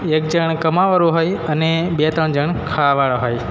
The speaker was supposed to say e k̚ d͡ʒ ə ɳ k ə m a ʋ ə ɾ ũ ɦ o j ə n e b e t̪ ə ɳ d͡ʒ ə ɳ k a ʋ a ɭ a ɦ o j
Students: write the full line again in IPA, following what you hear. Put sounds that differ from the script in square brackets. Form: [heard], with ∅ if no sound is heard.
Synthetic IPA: e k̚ d͡ʒ ə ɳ k ə m a ʋ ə ɾ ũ ɦ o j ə n e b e t̪ ə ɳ d͡ʒ ə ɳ [kʰ] a ʋ a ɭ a ɦ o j

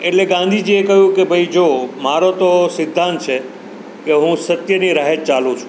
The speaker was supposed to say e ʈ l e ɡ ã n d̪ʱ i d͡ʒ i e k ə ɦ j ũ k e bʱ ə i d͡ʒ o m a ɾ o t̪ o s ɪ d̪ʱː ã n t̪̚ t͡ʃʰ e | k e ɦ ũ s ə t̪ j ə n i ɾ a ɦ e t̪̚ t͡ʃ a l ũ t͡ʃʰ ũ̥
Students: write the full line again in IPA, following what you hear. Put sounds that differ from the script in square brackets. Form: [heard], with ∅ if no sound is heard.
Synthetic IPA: e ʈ l e ɡ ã n d̪ʱ i d͡ʒ i e k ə ɦ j ũ k e bʱ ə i d͡ʒ o m a ɾ o t̪ o s ɪ d̪ʱː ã n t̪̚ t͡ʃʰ e | k e ɦ ũ s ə t̪ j ə n i ɾ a ɦ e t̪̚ t͡ʃ a l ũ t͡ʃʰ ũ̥

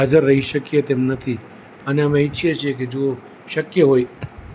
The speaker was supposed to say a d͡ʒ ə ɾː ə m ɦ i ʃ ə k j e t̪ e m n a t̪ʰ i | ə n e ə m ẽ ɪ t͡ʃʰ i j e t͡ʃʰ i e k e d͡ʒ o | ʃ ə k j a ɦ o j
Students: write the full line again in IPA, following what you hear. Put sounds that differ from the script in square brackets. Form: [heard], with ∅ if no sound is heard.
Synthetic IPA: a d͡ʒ ə ɾː ə [∅] ɦ i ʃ ə k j e t̪ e m n [ə] t̪ʰ i | ə n e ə m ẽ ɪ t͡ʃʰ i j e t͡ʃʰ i e k e d͡ʒ o | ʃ ə k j [ə] ɦ o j

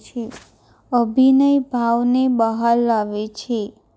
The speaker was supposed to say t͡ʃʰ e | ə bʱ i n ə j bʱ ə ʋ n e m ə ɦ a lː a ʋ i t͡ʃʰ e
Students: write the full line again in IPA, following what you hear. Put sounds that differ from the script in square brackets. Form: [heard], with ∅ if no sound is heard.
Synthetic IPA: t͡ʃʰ e | ə bʱ i n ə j bʱ [a] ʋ n e [b] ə ɦ a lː a ʋ [e] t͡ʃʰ e

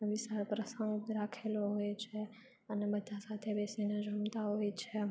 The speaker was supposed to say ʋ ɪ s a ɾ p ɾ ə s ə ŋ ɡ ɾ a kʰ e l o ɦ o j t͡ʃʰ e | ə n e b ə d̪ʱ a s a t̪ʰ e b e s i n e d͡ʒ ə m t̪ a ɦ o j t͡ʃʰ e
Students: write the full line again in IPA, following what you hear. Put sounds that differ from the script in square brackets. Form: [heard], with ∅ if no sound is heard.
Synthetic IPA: ʋ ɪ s a ɾ p ɾ ə s ə ŋ ɡ ɾ a kʰ e l o ɦ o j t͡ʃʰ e | ə n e b ə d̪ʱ a s a t̪ʰ e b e s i n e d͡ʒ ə m t̪ a ɦ o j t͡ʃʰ e

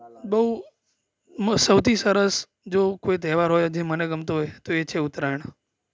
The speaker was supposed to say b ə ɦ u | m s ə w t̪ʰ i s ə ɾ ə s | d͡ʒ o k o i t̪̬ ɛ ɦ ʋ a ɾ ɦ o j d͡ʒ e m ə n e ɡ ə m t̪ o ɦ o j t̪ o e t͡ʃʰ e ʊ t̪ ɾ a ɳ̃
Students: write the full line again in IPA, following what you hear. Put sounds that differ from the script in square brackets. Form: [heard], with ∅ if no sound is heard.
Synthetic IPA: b ə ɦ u | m s ə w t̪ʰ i s ə ɾ ə s | d͡ʒ o k o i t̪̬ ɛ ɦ ʋ a ɾ ɦ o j d͡ʒ e m ə n e ɡ ə m t̪ o ɦ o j t̪ o e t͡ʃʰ e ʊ t̪ ɾ a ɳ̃

